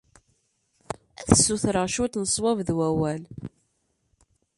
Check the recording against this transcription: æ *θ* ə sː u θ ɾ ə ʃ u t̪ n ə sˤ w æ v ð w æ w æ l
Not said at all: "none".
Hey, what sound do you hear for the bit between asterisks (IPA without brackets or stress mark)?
θ